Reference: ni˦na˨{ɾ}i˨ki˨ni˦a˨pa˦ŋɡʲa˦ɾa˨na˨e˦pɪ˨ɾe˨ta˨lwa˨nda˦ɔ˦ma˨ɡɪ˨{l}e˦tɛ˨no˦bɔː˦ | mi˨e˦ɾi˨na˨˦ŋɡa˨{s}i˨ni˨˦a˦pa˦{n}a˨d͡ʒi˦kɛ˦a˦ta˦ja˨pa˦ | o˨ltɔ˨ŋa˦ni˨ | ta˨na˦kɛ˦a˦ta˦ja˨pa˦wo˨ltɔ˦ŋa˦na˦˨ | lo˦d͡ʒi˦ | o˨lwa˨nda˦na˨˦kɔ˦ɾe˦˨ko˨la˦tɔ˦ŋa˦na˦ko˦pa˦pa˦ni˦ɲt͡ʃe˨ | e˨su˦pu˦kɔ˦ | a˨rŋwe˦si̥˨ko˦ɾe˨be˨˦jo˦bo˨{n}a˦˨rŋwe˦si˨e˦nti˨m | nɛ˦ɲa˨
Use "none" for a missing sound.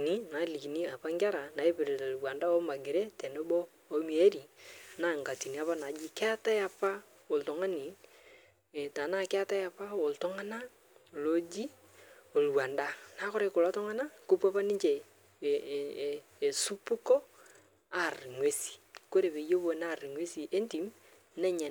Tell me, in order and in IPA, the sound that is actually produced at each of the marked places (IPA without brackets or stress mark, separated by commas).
l, ɾ, t, n, n